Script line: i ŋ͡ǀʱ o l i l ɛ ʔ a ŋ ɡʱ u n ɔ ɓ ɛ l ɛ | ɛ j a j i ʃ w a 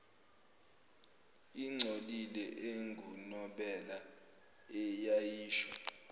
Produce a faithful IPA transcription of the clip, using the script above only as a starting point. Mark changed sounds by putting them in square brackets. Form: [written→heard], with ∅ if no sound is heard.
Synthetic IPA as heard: i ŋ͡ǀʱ o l i l ɛ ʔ [a→e] ŋ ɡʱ u n ɔ ɓ ɛ l [ɛ→a] | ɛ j a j [i→iː] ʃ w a